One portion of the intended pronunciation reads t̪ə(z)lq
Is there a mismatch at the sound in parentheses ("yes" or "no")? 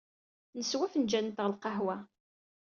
yes